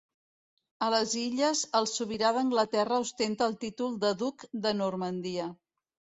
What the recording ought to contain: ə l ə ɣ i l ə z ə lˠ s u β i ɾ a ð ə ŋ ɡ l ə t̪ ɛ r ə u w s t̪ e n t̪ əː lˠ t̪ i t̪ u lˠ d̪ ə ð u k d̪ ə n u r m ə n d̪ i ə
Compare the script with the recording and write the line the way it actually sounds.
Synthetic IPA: ə l ə z i ʎ ə z ə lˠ s u β i ɾ a ð ə ŋ ɡ l ə t̪ ɛ r ə u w s t̪ e n t̪ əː lˠ t̪ i t̪ u lˠ d̪ ə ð u k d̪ ə n u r m ə n d̪ i ə

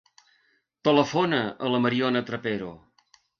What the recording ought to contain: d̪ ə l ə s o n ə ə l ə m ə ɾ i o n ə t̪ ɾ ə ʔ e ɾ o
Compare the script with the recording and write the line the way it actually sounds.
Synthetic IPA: t̪ ə l ə f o n ə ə l ə m ə ɾ i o n ə t̪ ɾ ə p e ɾ o

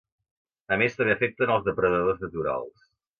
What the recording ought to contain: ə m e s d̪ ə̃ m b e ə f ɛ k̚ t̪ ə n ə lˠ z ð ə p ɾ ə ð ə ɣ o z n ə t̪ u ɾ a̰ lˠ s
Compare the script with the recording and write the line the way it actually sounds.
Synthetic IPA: ə m e s t̪ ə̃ m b e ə f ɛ k̚ t̪ ə n ə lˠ z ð ə p ɾ ə ð ə ð o z n ə t̪ u ɾ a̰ lˠ s

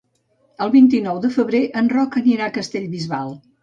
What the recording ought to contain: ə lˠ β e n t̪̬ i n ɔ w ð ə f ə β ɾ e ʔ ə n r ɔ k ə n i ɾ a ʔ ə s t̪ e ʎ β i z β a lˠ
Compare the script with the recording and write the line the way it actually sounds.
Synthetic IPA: ə lˠ β i n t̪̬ i n ɔ w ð ə f ə β ɾ e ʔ ə n r ɔ k ə n i ɾ a k ə s t̪ e ʎ β i z β a lˠ

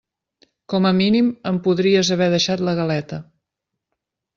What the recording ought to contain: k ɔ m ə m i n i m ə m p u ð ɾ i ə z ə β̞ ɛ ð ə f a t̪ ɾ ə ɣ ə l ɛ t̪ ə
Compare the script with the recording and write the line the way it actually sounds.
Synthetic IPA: k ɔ m ə m i n i m ə m p u ð ɾ i ə z ə β̞ ɛ ð ə ʃ a t̪ l ə ɣ ə l ɛ t̪ ə

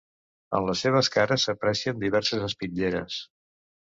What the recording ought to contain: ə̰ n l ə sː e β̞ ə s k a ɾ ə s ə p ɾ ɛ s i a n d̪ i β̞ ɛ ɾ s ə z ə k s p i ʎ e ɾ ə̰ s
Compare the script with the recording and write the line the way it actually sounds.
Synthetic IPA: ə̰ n l ə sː e β̞ ə s k a ɾ ə s ə p ɾ ɛ s i ə n d̪ i β̞ ɛ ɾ s ə z ə s p i ʎ e ɾ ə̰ s

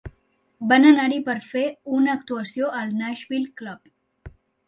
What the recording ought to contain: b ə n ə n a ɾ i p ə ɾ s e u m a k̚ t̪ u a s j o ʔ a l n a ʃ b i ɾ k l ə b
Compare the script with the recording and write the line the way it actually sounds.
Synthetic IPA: b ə n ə n a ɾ i p ə ɾ f e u n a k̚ t̪ u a s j o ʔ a l n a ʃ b i l k l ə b

